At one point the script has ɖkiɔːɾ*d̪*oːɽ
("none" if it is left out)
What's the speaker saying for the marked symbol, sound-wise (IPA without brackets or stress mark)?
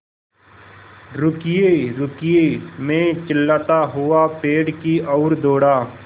d̪